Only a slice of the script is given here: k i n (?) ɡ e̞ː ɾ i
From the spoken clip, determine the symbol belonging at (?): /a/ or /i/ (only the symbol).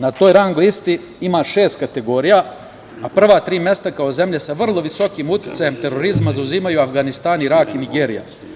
i